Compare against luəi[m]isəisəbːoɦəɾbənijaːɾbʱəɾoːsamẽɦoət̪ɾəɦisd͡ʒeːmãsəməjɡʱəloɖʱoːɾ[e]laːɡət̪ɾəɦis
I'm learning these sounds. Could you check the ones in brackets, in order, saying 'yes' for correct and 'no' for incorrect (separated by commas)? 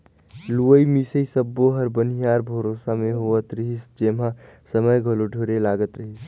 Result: yes, yes